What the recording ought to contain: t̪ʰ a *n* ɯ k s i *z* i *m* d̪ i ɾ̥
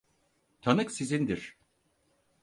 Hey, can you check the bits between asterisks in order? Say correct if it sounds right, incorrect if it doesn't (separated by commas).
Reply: correct, correct, incorrect